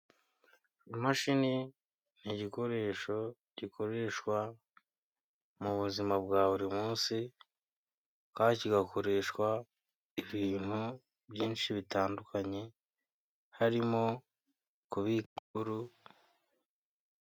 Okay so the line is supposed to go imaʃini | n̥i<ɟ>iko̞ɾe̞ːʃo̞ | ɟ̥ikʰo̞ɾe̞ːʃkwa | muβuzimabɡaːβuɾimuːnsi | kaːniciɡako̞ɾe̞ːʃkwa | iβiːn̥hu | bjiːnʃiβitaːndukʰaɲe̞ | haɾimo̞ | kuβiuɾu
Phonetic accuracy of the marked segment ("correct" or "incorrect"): correct